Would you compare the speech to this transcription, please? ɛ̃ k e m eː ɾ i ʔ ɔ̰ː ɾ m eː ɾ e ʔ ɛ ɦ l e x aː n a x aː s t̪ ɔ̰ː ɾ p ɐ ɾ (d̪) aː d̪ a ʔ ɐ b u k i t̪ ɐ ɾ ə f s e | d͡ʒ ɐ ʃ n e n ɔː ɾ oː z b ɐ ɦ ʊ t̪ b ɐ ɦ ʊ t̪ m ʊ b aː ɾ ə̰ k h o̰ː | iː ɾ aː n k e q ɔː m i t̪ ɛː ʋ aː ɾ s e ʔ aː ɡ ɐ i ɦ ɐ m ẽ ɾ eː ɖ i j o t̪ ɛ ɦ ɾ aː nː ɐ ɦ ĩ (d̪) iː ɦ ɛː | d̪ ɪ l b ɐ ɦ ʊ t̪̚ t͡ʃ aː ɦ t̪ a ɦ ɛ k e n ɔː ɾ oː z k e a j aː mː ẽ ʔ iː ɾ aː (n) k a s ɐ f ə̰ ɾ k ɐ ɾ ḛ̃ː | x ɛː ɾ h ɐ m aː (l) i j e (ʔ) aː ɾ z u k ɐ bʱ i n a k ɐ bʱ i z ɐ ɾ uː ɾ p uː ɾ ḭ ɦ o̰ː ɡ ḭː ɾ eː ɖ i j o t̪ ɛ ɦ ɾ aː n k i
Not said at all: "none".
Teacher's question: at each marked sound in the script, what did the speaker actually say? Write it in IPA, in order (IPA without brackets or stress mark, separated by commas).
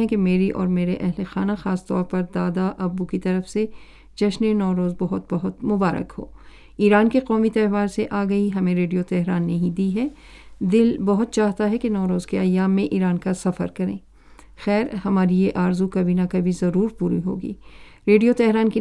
d̪, d̪, n, ɾ, ʔ